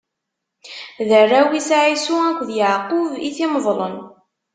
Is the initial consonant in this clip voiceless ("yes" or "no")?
no